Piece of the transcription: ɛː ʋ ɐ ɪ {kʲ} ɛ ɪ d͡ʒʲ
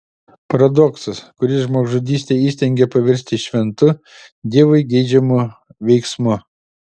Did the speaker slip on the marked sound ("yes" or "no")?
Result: yes